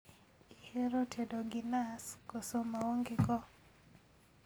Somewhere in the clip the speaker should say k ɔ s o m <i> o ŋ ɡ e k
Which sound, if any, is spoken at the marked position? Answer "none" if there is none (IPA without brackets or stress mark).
a